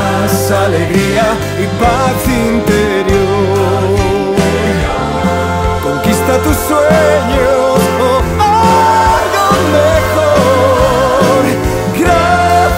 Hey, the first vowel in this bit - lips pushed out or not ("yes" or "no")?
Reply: no